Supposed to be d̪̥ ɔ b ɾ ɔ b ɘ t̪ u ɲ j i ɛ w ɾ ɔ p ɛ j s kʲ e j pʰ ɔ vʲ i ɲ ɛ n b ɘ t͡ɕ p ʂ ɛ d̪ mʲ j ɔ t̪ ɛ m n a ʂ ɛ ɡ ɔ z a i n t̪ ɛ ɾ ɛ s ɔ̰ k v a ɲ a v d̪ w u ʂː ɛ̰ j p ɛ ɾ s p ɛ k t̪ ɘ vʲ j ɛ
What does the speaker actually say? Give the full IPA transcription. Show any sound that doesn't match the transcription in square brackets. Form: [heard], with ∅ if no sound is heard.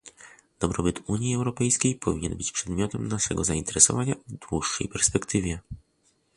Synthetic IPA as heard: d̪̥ ɔ b ɾ ɔ b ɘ t̪ u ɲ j i ɛ w ɾ ɔ p ɛ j s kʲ e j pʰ ɔ vʲ i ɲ ɛ n b ɘ t͡ɕ p ʂ ɛ d̪ mʲ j ɔ t̪ ɛ m n a ʂ ɛ ɡ ɔ z a i n t̪ ɛ ɾ ɛ s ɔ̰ [∅] v a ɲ a v d̪ w u ʂː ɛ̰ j p ɛ ɾ s p ɛ k t̪ ɘ vʲ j ɛ